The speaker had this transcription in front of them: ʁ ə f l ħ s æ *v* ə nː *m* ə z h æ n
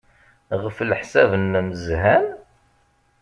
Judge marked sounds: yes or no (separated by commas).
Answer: yes, yes